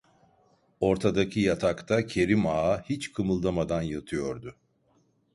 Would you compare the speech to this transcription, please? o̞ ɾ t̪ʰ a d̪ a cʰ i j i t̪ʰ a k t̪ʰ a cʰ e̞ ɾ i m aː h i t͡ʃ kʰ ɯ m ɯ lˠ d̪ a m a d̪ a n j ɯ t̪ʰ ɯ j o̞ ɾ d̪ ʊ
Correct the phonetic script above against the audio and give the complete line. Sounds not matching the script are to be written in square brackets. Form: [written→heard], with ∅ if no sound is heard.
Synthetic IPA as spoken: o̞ ɾ t̪ʰ a d̪ a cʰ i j [i→a] t̪ʰ a k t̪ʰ a cʰ e̞ ɾ i m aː h i t͡ʃ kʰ ɯ m ɯ lˠ d̪ a m a d̪ a n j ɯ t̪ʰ ɯ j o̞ ɾ d̪ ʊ